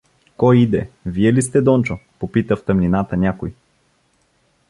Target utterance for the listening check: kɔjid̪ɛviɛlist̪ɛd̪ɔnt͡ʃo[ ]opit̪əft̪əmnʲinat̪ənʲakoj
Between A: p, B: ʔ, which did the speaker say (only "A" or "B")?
A